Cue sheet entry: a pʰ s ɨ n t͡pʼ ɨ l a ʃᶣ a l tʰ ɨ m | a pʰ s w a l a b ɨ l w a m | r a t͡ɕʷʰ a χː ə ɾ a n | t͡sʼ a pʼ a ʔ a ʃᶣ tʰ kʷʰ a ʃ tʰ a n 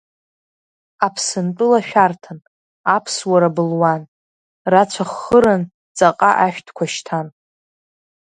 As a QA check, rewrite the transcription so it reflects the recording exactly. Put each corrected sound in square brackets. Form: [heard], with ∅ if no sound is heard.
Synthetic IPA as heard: a pʰ s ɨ n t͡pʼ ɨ l a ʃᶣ a [r] tʰ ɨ [n] | a pʰ s w a [ɾ] a b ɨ l w a [n] | r a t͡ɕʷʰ a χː ə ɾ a n | t͡sʼ a [qʼ] a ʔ a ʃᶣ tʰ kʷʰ a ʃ tʰ a n